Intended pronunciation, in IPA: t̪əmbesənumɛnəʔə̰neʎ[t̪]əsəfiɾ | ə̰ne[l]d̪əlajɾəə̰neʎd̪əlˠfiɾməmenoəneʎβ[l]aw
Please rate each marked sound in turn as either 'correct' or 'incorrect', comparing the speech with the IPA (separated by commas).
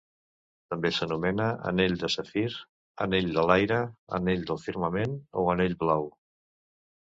incorrect, incorrect, correct